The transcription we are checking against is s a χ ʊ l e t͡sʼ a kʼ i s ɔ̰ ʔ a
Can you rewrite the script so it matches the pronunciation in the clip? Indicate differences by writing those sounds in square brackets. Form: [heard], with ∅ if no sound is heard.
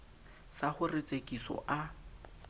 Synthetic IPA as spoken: s a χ ʊ [r] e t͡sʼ [e] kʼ i s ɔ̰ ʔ a